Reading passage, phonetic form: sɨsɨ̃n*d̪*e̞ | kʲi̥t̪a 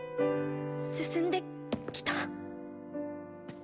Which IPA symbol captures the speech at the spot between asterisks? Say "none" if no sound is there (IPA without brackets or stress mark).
d̪